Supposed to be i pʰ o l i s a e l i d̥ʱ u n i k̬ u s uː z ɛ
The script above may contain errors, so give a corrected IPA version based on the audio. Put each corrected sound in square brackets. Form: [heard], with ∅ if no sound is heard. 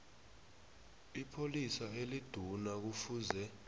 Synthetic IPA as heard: i pʰ o l i s a e l i d̥ʱ u n [a] k̬ u [f] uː z ɛ